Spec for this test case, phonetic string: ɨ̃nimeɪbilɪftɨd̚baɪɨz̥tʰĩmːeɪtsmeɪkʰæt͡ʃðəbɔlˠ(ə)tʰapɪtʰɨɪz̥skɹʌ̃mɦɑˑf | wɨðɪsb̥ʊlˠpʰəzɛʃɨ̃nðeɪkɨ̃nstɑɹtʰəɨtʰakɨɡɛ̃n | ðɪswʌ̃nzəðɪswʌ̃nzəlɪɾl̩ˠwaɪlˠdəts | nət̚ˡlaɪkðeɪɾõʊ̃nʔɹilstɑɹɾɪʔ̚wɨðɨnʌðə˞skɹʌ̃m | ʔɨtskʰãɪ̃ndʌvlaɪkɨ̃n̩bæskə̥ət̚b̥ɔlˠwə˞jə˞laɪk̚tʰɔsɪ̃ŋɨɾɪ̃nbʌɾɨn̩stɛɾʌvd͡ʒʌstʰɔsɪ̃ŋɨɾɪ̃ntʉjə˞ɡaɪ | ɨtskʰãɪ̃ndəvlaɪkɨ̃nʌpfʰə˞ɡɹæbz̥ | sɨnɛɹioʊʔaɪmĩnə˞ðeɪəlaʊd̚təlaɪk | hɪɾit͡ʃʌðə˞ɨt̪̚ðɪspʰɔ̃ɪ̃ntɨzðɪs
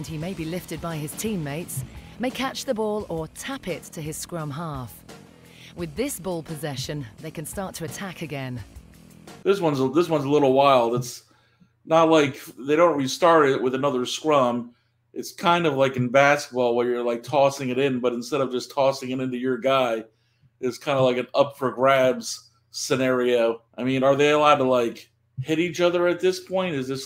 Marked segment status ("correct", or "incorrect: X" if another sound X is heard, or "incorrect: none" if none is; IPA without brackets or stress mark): correct